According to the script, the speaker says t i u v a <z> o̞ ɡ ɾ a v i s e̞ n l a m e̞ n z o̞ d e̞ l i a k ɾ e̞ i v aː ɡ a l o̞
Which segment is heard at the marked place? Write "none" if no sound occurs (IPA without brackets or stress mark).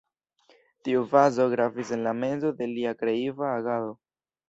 z